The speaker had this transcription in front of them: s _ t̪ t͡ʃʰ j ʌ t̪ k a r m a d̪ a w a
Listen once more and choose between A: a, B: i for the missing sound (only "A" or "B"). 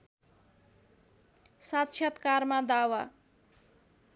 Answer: A